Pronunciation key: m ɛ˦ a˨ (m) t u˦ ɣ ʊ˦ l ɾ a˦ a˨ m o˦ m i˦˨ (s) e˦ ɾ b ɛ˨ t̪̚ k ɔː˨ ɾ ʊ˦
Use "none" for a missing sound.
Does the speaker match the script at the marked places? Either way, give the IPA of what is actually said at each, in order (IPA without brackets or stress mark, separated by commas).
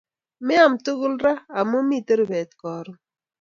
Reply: m, t